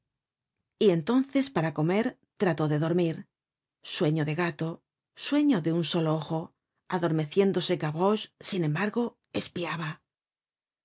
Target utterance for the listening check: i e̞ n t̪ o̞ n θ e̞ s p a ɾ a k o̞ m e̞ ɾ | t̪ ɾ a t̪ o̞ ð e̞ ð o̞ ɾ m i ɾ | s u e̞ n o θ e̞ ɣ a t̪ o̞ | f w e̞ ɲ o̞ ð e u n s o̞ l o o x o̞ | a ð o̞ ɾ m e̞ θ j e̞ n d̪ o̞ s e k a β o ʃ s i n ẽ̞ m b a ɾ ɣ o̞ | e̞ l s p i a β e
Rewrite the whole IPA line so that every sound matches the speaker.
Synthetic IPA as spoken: i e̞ n t̪ o̞ n θ e̞ s p a ɾ a k o̞ m e̞ ɾ | t̪ ɾ a t̪ o̞ ð e̞ ð o̞ ɾ m i ɾ | s w e̞ ɲ o ð e̞ ɣ a t̪ o̞ | s w e̞ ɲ o̞ ð e u n s o̞ l o o x o̞ | a ð o̞ ɾ m e̞ θ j e̞ n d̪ o̞ s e k a β o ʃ s i n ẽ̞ m b a ɾ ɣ o̞ | e̞ s p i a β a